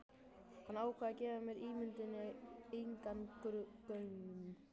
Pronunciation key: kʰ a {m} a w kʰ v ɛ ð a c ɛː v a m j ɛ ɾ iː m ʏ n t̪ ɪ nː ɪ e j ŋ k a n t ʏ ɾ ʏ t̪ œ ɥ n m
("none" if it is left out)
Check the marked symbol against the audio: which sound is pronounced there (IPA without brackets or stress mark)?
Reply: n